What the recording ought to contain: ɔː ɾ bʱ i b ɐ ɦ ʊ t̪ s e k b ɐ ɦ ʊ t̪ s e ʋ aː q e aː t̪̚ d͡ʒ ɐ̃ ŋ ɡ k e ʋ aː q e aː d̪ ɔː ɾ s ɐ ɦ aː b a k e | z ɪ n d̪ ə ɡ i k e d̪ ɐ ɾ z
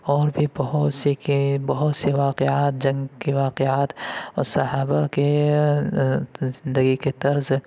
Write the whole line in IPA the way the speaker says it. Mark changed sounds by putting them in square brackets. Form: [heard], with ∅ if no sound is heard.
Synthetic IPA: ɔː ɾ bʱ i b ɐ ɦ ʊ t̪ s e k b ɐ ɦ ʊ t̪ s e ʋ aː q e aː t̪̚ d͡ʒ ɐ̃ ŋ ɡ k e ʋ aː q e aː [t̪] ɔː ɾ s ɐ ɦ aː b a k e | z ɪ n d̪ ə ɡ i k e [t̪] ɐ ɾ z